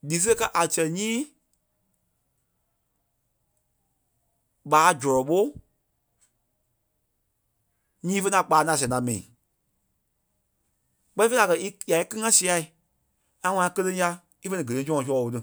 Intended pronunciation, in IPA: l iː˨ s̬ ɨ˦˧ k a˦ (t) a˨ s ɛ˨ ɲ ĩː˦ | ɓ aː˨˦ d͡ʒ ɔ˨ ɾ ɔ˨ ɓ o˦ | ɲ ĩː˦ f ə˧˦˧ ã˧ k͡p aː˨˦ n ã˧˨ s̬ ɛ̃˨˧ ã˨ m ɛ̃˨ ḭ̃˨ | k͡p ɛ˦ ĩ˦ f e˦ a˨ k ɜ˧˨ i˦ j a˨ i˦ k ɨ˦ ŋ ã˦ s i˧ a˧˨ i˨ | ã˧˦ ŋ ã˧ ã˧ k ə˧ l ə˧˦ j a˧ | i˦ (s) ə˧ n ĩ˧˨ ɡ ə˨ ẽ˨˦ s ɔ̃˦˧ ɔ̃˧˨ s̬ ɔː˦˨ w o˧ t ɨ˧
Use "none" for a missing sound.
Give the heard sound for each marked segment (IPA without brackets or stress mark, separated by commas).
ʔ, f